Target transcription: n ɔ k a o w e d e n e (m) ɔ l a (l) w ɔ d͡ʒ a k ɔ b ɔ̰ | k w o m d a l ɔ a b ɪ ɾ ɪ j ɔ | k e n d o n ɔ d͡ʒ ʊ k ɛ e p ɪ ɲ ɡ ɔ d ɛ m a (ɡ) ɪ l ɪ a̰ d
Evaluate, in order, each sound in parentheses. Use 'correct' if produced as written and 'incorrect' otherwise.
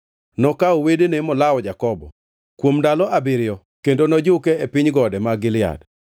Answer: correct, incorrect: none, correct

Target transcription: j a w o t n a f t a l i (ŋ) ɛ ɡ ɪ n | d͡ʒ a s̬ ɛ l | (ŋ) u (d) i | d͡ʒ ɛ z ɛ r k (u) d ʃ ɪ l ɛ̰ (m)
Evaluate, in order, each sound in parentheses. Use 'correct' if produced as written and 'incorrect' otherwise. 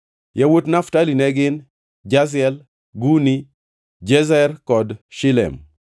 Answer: incorrect: n, incorrect: ɡ, incorrect: n, incorrect: ɔ, correct

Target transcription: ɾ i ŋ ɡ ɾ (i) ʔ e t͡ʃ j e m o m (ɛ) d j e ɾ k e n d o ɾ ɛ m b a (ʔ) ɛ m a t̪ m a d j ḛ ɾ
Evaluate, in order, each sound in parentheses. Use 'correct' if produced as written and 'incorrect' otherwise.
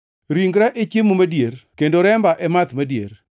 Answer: incorrect: a, incorrect: a, correct

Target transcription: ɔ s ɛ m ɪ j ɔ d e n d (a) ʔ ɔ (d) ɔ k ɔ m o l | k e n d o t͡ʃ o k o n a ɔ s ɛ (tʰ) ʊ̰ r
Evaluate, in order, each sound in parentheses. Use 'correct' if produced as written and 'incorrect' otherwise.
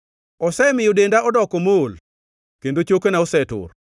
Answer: correct, correct, incorrect: t

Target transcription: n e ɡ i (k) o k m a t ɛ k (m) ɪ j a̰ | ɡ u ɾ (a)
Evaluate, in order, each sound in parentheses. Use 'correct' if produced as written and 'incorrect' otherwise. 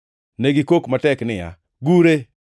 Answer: correct, incorrect: n, incorrect: e

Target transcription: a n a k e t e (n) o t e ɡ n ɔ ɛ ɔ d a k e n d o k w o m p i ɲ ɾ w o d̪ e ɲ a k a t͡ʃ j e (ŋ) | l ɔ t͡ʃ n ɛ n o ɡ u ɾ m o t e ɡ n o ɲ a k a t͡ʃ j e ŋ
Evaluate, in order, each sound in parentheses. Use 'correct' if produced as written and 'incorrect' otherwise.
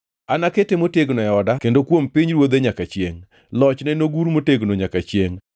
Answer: incorrect: m, correct

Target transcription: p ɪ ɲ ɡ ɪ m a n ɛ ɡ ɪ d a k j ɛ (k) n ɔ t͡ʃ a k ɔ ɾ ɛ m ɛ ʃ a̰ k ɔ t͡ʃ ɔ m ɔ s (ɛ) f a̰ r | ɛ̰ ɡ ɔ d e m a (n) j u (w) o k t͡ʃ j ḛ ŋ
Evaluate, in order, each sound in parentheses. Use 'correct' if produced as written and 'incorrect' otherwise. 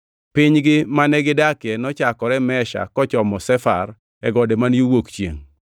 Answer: incorrect: none, correct, correct, correct

